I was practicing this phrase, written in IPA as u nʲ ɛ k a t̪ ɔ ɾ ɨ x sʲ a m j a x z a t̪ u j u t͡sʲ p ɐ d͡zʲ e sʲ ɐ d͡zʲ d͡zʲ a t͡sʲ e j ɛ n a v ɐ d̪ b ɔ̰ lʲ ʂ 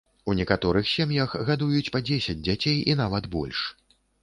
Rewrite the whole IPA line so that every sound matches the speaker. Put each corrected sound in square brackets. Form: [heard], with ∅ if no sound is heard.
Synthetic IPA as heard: u nʲ ɛ k a t̪ ɔ ɾ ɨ x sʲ a m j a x [ɣ] a [d̪] u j u t͡sʲ p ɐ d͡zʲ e sʲ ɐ d͡zʲ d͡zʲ a t͡sʲ e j [i] n a v ɐ d̪ b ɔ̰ lʲ ʂ